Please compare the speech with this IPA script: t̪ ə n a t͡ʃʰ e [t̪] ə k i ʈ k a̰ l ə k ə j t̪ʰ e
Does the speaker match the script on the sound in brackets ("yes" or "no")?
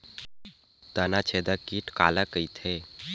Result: no